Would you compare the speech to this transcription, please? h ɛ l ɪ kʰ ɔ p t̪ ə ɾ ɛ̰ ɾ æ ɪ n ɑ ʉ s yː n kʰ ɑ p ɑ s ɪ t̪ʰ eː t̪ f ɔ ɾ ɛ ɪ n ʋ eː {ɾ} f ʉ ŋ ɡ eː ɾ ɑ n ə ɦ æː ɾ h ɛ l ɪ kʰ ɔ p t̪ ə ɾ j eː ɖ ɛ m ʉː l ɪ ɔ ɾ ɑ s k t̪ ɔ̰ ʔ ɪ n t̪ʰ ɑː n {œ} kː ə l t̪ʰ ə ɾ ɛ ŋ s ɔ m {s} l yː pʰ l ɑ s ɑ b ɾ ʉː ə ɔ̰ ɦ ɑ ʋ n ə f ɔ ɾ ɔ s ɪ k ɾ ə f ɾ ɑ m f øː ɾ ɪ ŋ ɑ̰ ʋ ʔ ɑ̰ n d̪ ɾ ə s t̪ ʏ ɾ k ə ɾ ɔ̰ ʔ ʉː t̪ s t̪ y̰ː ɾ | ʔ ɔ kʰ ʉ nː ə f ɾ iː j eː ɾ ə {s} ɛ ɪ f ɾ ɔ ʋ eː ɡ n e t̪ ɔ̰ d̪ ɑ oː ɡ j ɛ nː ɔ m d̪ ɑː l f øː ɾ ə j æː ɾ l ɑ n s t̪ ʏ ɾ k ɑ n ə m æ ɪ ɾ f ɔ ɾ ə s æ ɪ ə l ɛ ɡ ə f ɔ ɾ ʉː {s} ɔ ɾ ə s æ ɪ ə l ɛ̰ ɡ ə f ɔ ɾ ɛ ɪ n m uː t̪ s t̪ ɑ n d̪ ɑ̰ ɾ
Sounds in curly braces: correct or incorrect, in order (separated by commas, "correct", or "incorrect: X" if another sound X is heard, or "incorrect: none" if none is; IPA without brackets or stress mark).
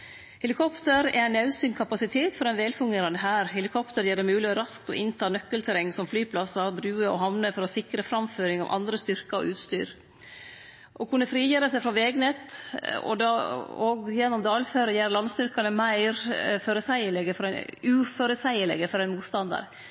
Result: incorrect: l, correct, incorrect: f, correct, incorrect: f